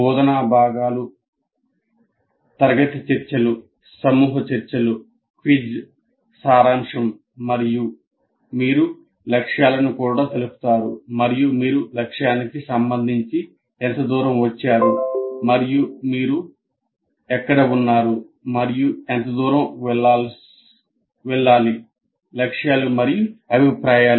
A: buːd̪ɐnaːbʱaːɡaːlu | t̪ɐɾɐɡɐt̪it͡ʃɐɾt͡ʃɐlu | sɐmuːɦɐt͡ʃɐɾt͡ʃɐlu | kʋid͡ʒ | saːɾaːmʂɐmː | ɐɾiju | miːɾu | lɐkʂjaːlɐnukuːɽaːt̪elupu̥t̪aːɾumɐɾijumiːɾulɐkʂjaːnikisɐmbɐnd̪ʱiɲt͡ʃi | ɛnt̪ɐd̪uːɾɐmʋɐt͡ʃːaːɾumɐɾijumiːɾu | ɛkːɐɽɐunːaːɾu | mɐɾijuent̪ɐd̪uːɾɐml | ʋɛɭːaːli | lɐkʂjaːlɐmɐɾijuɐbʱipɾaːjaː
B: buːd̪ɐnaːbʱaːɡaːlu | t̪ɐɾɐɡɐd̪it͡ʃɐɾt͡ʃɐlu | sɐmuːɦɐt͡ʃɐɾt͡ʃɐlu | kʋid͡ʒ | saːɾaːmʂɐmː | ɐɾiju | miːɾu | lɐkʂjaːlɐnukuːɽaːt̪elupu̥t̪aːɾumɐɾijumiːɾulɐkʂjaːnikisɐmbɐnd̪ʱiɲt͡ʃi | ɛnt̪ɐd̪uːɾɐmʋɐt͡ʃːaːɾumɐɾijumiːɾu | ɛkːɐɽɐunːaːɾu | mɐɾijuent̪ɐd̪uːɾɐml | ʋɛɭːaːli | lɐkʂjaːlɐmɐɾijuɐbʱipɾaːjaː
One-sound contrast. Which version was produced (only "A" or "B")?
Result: A